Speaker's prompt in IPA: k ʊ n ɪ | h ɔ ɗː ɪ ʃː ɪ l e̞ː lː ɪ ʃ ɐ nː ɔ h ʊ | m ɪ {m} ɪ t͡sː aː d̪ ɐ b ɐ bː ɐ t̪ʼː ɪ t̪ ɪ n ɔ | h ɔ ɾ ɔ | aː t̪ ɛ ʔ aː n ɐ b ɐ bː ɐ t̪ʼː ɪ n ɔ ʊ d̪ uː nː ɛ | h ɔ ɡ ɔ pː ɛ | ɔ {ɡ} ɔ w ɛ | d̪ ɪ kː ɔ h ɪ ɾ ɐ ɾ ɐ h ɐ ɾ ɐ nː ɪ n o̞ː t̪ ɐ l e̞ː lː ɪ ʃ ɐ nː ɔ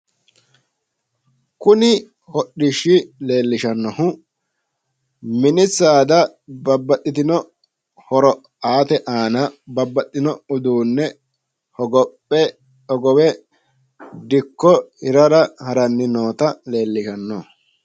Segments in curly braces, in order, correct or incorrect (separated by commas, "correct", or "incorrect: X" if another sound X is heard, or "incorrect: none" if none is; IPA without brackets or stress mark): incorrect: n, correct